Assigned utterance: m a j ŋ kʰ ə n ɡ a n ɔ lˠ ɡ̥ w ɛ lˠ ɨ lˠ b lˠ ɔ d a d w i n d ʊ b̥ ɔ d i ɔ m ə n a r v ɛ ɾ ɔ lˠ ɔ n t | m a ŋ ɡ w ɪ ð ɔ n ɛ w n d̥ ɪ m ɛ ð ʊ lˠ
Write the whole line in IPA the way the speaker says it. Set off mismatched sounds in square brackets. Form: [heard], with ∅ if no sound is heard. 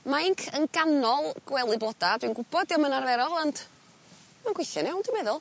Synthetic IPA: m a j ŋ kʰ ə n ɡ a n ɔ lˠ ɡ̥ w ɛ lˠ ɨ [∅] b lˠ ɔ d a d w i n [ɡ] ʊ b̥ ɔ d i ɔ m ə n a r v ɛ ɾ ɔ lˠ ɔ n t | m a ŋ ɡ w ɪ [θ] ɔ n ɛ w n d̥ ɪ m ɛ ð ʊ lˠ